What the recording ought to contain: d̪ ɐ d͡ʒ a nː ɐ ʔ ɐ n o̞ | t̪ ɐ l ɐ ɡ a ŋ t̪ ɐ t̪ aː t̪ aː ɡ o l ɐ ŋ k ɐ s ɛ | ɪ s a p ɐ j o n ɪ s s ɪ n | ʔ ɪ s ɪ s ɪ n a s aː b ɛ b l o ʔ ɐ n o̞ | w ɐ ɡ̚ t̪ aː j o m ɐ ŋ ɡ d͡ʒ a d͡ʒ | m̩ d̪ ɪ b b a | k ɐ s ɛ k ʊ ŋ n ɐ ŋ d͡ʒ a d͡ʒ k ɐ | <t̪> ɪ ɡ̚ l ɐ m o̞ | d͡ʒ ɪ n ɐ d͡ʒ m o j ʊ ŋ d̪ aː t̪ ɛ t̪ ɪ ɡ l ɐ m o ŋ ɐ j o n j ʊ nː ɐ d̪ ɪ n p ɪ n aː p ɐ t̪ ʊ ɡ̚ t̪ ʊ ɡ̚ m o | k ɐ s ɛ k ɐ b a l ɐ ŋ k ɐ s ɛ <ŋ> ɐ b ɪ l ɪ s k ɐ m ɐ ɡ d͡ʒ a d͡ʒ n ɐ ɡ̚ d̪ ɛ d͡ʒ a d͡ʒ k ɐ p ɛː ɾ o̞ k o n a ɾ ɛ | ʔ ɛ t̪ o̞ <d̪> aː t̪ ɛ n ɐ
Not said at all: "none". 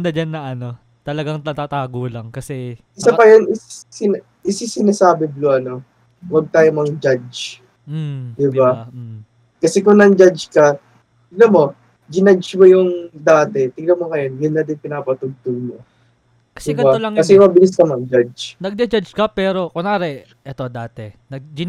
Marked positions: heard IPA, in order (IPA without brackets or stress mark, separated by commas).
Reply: t̪, m, d̪